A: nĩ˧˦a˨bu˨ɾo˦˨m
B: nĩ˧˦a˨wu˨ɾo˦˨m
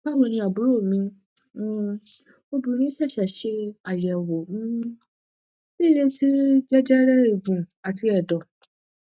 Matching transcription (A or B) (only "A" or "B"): A